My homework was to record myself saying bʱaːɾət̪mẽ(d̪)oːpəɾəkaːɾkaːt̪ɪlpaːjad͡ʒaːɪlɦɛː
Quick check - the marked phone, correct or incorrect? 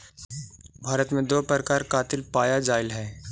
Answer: correct